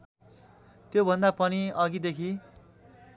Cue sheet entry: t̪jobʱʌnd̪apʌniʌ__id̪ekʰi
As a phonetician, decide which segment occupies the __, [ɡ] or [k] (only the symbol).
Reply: ɡ